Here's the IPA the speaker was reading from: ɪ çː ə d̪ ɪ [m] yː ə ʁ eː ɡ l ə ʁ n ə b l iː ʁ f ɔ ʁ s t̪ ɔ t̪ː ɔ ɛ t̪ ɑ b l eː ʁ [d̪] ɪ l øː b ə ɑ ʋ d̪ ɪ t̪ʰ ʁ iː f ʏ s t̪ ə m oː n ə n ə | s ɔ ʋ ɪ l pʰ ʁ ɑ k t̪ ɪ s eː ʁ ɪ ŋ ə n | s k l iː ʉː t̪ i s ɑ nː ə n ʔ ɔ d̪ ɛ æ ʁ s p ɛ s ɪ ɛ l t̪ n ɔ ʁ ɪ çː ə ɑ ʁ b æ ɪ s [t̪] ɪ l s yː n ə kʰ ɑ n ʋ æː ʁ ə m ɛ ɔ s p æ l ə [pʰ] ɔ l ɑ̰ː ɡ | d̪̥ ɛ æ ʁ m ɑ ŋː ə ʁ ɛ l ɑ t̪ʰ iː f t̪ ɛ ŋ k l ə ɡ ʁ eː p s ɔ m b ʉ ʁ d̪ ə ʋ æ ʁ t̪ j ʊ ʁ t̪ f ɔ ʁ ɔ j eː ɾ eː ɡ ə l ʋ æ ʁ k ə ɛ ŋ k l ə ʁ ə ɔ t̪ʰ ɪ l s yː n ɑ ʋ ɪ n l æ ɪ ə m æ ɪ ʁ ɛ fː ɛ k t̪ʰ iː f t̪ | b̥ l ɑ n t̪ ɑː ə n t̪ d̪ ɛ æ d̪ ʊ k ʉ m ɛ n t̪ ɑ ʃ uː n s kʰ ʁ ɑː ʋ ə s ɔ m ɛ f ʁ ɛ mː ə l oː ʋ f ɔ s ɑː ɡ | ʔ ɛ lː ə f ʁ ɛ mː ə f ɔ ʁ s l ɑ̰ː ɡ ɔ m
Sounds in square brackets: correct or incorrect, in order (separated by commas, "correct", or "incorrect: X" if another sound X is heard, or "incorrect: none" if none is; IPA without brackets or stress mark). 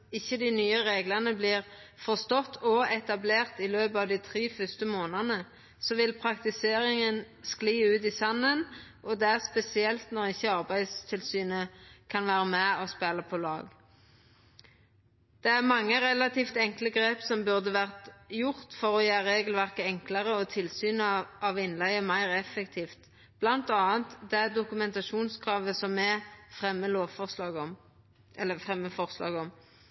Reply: incorrect: n, incorrect: t̪, incorrect: t̪ʰ, correct